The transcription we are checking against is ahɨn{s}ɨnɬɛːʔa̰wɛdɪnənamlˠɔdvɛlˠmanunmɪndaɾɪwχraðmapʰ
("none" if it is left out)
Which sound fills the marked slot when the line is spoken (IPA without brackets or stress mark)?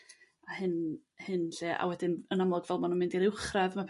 h